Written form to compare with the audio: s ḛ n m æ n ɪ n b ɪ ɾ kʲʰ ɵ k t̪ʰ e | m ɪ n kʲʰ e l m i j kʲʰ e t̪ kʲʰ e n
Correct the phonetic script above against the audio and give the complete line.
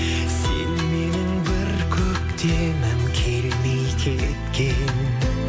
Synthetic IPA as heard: s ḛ n m e n ɪ ŋ b ɪ ɾ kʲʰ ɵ k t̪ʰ e | m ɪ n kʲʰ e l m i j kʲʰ e t̪ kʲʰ e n